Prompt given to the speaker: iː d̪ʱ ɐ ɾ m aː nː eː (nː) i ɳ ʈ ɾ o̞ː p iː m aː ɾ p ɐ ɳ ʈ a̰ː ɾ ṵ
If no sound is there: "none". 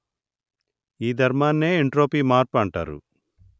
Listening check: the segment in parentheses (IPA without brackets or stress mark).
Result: none